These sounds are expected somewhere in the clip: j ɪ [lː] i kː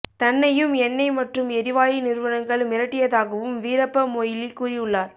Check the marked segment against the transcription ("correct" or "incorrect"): incorrect